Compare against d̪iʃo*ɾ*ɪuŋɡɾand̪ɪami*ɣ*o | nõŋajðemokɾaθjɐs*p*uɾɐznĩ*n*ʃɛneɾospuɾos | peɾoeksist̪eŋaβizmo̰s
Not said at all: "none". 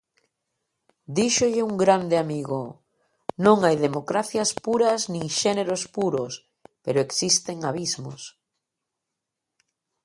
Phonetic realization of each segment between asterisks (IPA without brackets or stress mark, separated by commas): ʎ, ɣ, p, ŋ